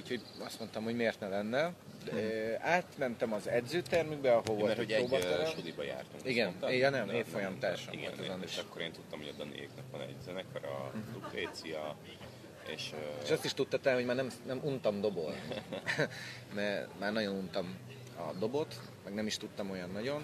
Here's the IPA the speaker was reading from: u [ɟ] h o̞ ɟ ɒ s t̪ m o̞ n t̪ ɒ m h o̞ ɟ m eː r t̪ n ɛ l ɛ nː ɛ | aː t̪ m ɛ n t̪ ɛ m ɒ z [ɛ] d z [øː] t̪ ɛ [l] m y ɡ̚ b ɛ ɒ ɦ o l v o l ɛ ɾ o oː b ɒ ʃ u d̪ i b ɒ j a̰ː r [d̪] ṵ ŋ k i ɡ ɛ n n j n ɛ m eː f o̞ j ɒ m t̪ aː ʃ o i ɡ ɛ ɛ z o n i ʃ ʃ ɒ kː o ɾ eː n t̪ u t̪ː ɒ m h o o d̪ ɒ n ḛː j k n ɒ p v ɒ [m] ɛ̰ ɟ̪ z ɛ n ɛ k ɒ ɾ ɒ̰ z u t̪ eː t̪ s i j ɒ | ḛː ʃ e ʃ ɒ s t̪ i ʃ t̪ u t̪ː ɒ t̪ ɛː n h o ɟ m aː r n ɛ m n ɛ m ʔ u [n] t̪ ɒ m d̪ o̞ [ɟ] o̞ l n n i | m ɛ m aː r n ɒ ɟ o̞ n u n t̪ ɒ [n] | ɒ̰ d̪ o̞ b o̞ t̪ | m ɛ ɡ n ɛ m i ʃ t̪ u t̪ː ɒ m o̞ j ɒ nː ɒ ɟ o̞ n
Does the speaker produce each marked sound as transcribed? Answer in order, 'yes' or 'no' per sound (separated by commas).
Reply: no, yes, yes, no, no, no, yes, no, no